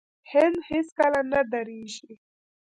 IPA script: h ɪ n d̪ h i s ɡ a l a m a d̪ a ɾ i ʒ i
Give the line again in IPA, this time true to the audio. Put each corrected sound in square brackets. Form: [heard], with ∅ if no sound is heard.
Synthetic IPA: h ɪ n d̪ h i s [k] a l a [n] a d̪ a ɾ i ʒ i